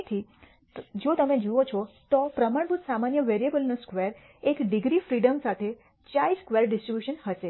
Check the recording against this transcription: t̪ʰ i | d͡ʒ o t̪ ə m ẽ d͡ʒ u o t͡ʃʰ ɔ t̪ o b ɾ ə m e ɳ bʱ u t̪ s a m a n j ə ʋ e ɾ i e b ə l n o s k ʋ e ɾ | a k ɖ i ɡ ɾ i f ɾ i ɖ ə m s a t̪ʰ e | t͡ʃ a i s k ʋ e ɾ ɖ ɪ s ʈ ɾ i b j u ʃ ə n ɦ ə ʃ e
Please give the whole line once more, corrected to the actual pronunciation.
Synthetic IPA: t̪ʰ i | d͡ʒ o t̪ ə m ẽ d͡ʒ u o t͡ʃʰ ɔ t̪ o p ɾ ə m a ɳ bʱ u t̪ s a m a n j ə ʋ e ɾ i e b ə l n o s k ʋ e ɾ | e k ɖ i ɡ ɾ i f ɾ i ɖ ə m s a t̪ʰ e | t͡ʃ a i s k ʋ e ɾ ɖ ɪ s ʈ ɾ i b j u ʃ ə n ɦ ə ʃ e